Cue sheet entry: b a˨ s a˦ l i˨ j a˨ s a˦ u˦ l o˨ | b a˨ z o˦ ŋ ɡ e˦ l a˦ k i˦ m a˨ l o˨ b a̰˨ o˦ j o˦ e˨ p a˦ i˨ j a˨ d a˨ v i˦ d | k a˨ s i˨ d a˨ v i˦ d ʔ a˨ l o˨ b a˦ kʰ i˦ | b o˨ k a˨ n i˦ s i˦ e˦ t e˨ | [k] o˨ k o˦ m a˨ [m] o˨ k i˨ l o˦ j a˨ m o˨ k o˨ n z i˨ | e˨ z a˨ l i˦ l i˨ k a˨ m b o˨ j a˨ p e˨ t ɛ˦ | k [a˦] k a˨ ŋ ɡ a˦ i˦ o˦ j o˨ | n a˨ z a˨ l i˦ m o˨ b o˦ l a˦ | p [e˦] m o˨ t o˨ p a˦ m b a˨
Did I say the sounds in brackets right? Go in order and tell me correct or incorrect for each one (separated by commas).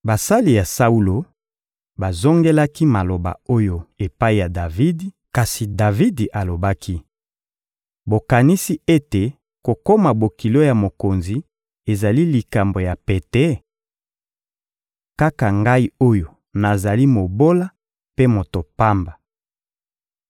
correct, incorrect, correct, correct